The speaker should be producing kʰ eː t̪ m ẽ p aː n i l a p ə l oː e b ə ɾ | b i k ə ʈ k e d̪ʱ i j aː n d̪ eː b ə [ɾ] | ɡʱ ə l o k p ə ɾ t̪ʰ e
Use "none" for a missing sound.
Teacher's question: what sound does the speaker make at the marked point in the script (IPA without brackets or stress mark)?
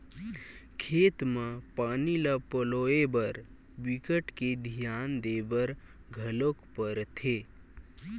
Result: ɾ